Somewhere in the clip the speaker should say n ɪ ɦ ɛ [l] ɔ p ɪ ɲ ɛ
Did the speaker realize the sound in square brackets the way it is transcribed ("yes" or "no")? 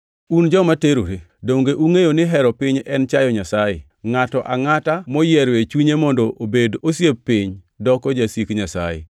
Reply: no